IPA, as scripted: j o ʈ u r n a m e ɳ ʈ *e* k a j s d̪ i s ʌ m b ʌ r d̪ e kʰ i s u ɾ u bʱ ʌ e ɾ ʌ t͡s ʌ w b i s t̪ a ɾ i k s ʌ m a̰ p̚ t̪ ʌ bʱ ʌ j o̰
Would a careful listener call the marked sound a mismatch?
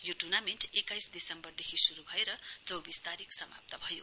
no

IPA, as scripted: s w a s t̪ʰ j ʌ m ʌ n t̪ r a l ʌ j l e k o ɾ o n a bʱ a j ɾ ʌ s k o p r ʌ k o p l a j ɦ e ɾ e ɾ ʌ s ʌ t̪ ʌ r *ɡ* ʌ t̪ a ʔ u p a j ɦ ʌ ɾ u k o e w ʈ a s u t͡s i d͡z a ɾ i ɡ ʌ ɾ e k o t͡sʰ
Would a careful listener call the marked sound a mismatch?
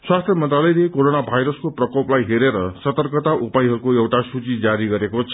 yes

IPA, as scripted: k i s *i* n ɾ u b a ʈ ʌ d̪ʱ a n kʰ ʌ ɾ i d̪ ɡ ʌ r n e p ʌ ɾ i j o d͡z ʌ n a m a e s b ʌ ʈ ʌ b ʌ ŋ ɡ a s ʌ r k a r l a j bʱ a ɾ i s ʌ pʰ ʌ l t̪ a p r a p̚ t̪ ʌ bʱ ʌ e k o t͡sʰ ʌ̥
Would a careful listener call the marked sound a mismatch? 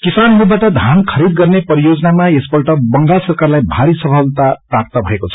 yes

